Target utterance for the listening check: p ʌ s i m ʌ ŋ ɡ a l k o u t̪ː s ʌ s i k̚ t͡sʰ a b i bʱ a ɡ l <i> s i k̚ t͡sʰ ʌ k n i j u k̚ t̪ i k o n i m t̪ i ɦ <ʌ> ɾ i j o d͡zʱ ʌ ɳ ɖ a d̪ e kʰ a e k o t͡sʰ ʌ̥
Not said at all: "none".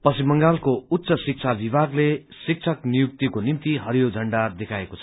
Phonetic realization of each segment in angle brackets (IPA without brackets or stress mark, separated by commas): e, ʌ